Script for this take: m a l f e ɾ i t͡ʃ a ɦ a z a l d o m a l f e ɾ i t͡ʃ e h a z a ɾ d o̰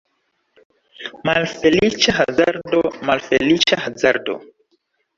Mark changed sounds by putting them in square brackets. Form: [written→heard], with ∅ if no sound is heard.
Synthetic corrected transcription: m a l f e [ɾ→l] i t͡ʃ a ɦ a z a [l→ɾ] d o m a l f e [ɾ→l] i t͡ʃ [e→a] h a z a ɾ d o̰